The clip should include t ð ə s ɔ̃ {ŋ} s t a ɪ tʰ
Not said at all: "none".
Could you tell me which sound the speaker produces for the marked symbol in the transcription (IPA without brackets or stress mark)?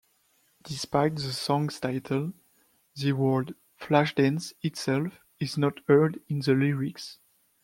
ŋ